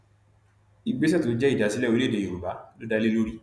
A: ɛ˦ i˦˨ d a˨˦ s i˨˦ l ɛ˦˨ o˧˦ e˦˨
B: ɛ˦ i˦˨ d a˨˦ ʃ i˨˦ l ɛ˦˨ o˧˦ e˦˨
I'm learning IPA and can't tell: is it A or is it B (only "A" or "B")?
A